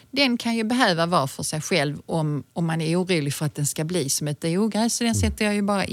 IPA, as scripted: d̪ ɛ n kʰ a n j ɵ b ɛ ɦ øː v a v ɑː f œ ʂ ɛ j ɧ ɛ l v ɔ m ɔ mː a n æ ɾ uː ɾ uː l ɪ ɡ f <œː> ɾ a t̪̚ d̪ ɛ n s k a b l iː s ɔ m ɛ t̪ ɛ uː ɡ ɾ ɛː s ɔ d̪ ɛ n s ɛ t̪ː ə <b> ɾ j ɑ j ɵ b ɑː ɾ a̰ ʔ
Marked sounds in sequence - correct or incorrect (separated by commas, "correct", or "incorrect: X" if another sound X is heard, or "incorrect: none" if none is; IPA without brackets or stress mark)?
incorrect: œ, incorrect: none